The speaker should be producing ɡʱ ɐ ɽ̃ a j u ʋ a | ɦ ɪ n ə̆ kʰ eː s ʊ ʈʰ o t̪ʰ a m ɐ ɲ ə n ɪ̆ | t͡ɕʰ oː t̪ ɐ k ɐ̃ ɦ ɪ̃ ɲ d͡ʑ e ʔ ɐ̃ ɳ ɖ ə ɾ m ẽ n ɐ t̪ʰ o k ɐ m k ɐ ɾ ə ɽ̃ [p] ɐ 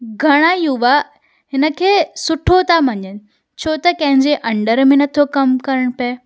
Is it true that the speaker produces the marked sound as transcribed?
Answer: yes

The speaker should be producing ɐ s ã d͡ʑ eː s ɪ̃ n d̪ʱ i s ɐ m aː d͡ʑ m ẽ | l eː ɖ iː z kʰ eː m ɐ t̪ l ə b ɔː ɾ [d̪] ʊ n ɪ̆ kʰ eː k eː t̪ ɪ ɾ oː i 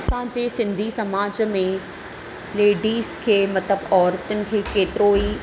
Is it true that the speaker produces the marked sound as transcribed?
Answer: no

